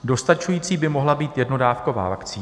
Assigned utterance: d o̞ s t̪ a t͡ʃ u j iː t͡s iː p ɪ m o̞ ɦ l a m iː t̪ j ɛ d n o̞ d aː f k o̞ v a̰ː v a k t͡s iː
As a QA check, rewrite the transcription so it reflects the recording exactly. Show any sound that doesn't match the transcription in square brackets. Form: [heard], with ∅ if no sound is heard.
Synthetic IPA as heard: d o̞ s t̪ a t͡ʃ u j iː t͡s iː [b] ɪ m o̞ ɦ l a [b] iː t̪ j ɛ d n o̞ d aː f k o̞ v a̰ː v a k t͡s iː